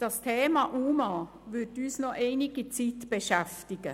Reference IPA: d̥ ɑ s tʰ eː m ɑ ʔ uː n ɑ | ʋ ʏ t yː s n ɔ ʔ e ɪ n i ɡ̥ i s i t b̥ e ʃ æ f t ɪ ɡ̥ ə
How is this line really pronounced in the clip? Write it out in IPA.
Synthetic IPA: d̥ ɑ s tʰ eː m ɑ ʔ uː m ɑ | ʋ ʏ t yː s n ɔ ʔ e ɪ n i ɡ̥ i t͡s i t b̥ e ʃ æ f t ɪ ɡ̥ ə